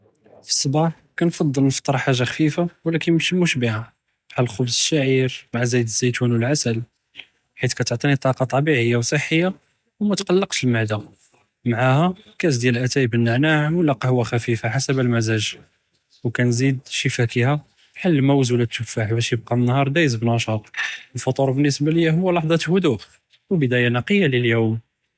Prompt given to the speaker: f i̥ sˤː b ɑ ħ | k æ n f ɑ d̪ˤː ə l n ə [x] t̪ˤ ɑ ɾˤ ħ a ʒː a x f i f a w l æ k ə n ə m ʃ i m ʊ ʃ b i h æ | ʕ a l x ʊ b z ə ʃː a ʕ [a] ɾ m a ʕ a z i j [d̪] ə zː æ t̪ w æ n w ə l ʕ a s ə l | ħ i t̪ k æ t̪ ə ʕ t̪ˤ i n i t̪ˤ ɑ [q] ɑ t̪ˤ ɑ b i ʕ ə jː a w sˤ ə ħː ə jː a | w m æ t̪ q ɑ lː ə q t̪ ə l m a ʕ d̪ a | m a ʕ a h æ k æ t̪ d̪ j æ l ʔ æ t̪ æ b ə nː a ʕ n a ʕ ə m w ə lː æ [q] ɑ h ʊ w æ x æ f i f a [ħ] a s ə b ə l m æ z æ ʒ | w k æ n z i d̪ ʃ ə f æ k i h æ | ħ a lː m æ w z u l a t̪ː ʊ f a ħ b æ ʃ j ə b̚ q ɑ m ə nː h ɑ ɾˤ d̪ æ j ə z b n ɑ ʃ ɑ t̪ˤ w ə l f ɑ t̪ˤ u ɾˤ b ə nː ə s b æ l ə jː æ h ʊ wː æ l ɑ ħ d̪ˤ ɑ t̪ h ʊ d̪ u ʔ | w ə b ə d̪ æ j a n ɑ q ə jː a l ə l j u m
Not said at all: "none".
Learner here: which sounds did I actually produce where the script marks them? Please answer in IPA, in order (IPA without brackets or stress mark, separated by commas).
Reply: f, i, d̪, q, q, ħ